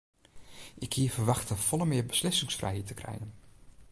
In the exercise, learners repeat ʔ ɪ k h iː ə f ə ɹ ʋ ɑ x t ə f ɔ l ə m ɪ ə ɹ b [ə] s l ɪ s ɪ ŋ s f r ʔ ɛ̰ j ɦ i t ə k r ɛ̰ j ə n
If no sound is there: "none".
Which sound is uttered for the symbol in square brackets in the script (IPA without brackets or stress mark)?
ə